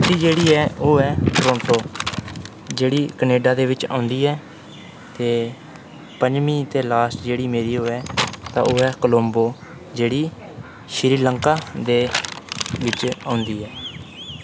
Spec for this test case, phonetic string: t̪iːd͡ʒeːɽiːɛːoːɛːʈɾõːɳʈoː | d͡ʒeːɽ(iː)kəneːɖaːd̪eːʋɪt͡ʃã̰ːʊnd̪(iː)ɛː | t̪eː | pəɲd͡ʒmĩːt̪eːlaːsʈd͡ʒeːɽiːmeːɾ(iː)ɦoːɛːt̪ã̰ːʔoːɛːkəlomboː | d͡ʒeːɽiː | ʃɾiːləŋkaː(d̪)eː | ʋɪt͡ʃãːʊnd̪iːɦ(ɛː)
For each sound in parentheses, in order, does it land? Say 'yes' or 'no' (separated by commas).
yes, yes, yes, yes, yes